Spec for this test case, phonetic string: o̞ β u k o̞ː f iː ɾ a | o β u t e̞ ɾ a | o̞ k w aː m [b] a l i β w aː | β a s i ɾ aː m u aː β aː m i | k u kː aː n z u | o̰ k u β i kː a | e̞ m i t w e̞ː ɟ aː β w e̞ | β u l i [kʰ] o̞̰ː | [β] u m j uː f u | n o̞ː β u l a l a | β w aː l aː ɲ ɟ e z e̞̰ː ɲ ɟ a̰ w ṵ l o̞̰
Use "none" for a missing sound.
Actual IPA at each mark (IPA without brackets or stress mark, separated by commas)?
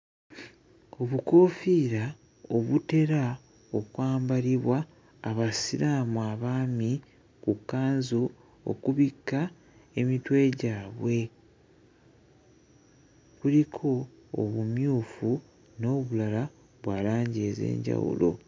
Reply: b, kʰ, β